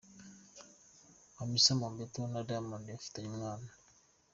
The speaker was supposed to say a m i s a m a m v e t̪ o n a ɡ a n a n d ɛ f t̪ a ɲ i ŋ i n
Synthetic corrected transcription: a m i s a m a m b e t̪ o n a d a m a n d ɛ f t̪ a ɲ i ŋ a n